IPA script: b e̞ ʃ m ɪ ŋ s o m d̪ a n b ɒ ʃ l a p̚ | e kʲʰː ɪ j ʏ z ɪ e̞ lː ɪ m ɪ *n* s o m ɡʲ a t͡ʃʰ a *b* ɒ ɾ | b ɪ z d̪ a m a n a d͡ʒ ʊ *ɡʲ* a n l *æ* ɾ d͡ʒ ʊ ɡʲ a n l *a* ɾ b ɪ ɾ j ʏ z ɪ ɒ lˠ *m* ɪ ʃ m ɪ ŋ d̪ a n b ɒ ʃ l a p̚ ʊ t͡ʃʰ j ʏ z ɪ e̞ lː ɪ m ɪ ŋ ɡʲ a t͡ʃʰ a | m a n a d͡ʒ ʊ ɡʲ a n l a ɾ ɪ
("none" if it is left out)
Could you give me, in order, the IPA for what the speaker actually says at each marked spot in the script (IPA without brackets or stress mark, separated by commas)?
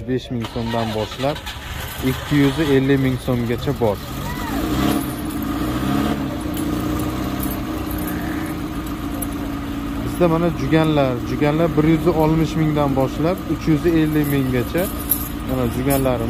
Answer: ŋ, b, ɡʲ, a, a, m